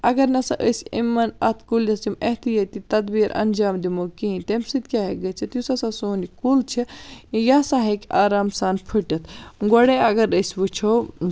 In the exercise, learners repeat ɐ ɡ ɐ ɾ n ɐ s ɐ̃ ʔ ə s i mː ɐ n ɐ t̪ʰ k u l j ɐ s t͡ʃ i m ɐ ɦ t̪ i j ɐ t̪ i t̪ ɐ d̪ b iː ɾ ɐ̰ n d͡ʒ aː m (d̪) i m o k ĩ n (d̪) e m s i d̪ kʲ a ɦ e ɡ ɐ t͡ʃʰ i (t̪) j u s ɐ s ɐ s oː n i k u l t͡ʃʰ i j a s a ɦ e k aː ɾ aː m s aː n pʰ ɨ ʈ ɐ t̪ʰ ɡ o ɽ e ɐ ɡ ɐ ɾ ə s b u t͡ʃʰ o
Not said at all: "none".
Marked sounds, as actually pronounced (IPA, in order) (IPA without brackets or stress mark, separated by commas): d̪, t̪, t̪